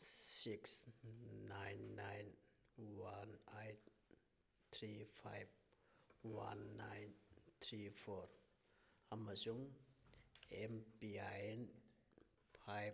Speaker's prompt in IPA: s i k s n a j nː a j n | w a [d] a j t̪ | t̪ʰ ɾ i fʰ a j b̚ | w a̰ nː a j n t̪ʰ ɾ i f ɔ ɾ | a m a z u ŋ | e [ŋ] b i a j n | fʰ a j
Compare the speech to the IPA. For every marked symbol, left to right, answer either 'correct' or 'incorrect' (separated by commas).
incorrect, incorrect